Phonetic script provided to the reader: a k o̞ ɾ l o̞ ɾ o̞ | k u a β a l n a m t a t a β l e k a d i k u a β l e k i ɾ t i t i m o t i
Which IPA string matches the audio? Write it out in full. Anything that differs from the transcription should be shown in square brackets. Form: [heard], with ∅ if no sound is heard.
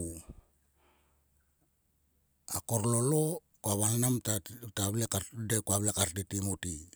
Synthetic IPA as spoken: a k o̞ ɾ l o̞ [l] o̞ | k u a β a l n a m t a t a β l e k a d [e] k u a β l e k [a] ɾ t i t i m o t i

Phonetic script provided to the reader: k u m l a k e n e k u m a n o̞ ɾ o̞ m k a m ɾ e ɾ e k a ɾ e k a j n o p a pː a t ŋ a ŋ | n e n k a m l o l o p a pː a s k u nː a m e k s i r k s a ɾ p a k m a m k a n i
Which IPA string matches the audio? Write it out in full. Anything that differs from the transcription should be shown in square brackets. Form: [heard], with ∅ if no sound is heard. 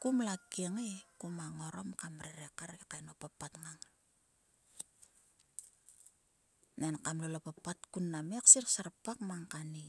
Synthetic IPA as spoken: k u m l a k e [ŋ] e k u m a [ŋ] o̞ ɾ o̞ m k a m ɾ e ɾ e k a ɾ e k a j n o p a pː a t ŋ a ŋ | n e n k a m l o l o p a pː a [t] k u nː a m e k s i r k s a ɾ p a k m a [ŋ] k a n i

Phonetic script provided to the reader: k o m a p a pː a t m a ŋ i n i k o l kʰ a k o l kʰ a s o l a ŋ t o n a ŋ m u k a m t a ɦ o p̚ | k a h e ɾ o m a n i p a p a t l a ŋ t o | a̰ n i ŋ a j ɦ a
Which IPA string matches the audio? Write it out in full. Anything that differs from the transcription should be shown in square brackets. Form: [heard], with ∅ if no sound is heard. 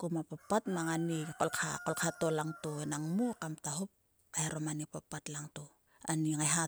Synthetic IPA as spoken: k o m a p a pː a t m a ŋ [a] n i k o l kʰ a k o l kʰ a [t] o l a ŋ t o n a ŋ m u k a m t a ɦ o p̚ | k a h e ɾ o m a n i p a p a t l a ŋ t o | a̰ n i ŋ a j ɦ a

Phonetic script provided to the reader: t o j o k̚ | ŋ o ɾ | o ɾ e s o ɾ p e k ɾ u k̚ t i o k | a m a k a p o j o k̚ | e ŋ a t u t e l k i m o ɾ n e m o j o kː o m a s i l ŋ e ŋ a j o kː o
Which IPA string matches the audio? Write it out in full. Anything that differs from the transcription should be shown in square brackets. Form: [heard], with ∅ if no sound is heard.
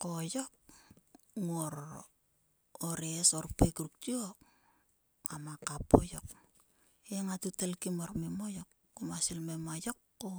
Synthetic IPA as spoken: [k] o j o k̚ | ŋ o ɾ | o ɾ e s o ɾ p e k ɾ u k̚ t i o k | a m a k a p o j o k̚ | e ŋ a t u t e l k i m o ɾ [m] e m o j o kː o m a s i l [m] e [m] a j o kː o

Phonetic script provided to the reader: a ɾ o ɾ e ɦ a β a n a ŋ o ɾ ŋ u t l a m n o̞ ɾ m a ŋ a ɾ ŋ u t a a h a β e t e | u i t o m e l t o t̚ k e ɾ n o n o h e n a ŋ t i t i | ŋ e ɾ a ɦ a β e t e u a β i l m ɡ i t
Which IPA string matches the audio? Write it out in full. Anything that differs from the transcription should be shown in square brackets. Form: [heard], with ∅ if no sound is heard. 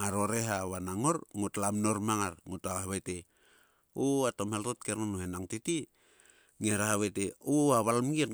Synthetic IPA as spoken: a ɾ o ɾ e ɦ a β a n a ŋ o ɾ ŋ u t l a m n o̞ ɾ m a ŋ a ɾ ŋ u t a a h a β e t e | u [a] t o m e l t o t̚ k e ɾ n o n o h e n a ŋ t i t i | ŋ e ɾ a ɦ a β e t e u a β [a] l m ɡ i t

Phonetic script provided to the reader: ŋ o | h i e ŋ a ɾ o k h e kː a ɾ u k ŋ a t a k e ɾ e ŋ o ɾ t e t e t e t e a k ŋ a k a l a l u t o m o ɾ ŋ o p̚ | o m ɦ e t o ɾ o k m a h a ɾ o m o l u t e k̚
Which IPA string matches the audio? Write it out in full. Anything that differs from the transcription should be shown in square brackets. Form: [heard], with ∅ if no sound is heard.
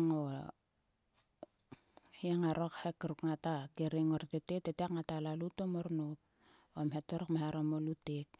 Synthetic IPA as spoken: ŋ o | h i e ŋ a ɾ o k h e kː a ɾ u k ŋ a t a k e ɾ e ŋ o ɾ t e t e t e t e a k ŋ a [t] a l a l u t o m o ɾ [n] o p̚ | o m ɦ e t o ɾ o k m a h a ɾ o m o l u t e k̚

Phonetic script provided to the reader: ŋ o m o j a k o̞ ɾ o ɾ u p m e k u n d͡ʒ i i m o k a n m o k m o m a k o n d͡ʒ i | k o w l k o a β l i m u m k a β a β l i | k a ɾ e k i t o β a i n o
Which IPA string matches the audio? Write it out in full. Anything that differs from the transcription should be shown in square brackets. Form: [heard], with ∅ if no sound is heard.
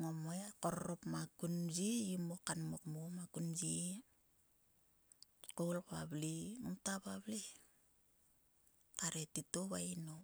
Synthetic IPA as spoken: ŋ o m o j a k o̞ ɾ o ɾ [o] p m [a] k u n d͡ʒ i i m o k a n m o k m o m a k [u] n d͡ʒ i | k o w l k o a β l i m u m [t] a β a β l i | k a ɾ e [t] i t o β a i n o

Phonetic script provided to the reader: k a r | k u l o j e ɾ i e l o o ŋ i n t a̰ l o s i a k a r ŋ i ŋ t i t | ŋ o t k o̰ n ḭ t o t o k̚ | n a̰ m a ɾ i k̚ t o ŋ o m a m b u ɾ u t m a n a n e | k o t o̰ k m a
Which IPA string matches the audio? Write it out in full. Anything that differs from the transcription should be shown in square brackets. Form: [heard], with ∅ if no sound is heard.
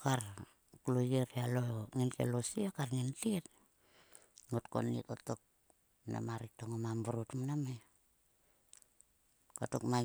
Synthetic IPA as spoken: k a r | k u l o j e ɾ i [a] l o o ŋ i n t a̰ l o s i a k a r ŋ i [n] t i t | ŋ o t k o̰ n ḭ t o t o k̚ | n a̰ m a ɾ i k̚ t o ŋ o m a m b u ɾ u t m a n a [m] e | k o t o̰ k m a

